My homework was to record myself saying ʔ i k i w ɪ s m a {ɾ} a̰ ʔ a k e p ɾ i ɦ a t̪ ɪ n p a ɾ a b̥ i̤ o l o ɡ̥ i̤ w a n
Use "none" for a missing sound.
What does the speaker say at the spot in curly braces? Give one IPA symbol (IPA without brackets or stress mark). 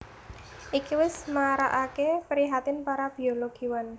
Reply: ɾ